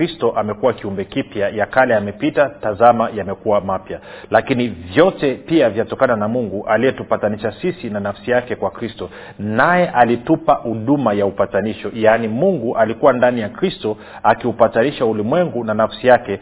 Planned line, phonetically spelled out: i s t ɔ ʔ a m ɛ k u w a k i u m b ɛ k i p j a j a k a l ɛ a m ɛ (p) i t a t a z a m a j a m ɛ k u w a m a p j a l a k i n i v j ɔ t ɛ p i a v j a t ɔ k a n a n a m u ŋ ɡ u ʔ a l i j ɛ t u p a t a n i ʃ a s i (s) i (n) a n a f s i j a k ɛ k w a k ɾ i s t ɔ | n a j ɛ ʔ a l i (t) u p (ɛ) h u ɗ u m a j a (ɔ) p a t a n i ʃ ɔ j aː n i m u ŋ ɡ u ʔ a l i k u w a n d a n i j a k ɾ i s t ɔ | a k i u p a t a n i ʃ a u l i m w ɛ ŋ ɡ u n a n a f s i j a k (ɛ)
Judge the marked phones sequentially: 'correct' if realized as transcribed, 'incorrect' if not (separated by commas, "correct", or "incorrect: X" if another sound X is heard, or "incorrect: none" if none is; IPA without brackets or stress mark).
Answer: correct, correct, correct, correct, incorrect: a, incorrect: u, correct